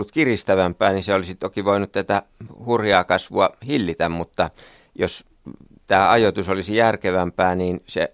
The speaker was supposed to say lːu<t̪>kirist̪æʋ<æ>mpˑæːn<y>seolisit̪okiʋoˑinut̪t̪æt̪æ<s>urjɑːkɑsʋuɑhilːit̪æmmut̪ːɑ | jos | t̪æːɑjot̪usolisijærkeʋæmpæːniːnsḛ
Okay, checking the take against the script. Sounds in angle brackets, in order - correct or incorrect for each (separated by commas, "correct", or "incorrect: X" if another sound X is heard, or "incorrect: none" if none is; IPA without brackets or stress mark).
correct, correct, incorrect: i, incorrect: h